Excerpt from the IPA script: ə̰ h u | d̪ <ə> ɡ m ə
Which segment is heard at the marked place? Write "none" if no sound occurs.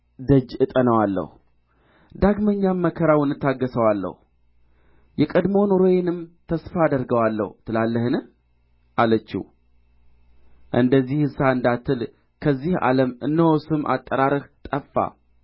a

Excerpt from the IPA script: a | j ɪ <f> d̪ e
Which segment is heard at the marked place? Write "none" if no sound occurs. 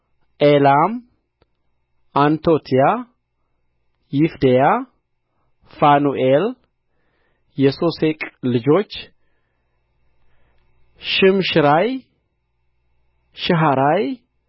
f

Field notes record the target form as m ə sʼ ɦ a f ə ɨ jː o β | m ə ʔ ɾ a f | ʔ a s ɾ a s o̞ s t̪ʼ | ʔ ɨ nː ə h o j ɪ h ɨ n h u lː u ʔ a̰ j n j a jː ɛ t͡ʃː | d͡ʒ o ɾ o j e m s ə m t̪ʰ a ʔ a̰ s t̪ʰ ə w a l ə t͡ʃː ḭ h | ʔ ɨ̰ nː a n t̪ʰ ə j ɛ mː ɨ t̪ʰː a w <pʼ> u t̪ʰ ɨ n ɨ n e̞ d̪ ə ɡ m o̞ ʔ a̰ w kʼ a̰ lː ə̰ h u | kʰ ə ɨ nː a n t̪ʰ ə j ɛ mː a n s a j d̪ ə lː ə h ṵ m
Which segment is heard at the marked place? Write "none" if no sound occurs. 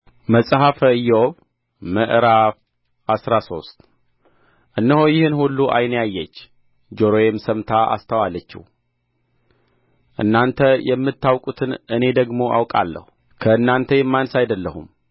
kʼ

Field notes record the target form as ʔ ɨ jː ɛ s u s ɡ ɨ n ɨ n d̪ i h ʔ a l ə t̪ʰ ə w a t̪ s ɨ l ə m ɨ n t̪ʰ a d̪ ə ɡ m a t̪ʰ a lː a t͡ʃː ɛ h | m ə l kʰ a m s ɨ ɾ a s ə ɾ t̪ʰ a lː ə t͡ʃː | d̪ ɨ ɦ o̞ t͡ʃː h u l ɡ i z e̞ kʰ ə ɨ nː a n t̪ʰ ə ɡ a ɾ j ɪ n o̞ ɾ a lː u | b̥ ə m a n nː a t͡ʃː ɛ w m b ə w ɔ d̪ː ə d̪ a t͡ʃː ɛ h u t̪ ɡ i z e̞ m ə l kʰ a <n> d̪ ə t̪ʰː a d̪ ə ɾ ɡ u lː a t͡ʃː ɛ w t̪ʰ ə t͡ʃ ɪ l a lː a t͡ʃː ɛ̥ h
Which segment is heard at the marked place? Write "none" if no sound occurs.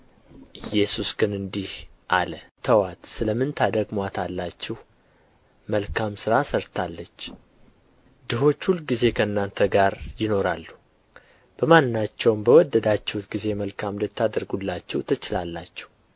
m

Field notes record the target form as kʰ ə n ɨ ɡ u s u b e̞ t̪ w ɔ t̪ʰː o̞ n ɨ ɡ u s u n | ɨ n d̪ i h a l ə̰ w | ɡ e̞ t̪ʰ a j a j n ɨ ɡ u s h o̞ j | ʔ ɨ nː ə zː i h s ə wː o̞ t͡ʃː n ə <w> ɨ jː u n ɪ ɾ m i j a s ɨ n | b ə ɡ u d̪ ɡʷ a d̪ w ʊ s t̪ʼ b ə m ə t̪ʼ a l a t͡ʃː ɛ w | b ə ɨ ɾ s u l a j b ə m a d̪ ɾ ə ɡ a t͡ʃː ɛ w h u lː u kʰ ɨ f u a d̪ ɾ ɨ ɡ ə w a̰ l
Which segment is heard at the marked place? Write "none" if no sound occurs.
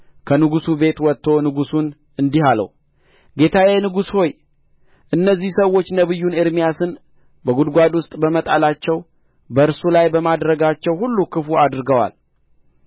β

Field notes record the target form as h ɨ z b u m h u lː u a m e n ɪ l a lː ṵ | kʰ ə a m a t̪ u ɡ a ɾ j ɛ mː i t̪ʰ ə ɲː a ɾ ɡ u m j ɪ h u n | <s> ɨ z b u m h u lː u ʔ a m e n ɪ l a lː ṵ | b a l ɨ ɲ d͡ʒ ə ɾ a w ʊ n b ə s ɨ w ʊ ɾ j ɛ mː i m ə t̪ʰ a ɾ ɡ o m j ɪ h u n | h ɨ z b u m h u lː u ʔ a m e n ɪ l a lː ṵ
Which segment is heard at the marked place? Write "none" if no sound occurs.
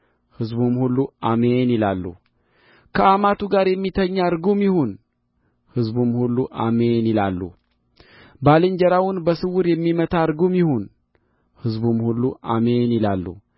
h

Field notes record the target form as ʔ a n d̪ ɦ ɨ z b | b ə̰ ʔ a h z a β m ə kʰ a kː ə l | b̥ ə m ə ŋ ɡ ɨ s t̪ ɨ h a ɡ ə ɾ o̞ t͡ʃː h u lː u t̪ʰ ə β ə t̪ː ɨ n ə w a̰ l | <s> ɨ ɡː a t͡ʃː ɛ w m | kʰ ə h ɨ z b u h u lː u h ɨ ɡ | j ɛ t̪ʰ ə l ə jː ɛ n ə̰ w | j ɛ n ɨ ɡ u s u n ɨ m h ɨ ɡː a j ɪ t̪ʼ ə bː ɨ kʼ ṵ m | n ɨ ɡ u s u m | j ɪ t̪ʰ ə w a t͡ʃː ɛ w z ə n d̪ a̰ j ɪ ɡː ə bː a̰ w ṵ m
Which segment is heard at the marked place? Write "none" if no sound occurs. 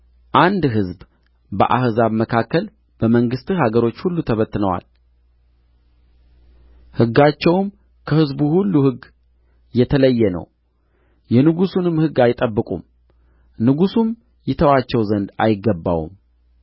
h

